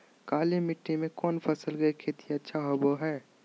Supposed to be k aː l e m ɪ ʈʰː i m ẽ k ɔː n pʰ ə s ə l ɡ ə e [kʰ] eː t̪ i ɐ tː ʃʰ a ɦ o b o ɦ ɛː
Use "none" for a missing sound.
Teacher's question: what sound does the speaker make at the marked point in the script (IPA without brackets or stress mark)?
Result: kʰ